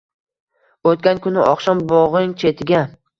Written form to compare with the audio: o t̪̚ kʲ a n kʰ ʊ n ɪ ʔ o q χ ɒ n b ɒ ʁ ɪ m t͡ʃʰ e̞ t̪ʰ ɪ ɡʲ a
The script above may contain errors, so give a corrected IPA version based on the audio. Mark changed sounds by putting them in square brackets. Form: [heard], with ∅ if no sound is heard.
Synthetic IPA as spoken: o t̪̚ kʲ a n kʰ ʊ n ɪ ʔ [ɒ] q [ʃ] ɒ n b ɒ ʁ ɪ [ŋ] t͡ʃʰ e̞ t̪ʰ ɪ ɡʲ a